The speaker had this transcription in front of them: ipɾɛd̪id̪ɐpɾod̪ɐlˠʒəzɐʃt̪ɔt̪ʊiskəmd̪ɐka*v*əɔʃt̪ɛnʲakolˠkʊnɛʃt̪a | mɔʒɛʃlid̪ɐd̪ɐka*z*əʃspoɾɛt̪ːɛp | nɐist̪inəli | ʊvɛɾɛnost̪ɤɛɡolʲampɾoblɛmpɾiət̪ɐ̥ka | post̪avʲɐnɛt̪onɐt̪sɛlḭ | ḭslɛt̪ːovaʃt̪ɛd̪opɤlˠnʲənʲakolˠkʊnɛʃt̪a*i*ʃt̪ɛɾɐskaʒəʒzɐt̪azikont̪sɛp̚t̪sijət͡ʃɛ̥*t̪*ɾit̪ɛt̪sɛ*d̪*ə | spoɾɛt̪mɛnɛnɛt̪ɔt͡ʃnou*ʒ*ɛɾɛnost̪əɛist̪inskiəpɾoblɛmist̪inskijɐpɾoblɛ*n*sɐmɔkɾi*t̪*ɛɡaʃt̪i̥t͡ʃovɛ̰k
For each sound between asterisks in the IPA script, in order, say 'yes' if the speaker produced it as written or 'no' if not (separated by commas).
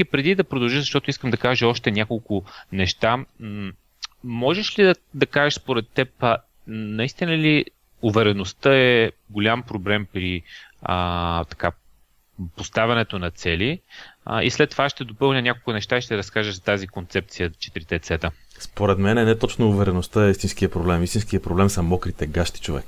no, no, yes, yes, no, no, no, yes